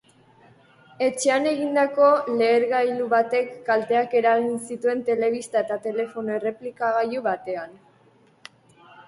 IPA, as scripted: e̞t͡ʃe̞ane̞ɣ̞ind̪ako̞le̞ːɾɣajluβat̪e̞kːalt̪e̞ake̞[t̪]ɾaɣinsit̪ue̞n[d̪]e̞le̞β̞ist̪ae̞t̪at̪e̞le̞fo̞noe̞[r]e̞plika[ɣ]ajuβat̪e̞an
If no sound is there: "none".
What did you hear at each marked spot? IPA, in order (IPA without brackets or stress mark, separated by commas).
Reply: none, t̪, r, ɣ